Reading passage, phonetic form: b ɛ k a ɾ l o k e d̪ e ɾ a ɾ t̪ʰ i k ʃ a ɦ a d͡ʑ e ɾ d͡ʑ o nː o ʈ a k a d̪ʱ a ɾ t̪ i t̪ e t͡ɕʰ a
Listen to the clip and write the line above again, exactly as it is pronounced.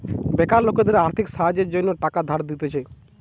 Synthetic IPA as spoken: b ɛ k a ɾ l o k e d̪ e ɾ a ɾ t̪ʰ i k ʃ a ɦ a d͡ʑ e ɾ d͡ʑ o nː o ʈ a k a d̪ʱ a ɾ d̪ i t̪ e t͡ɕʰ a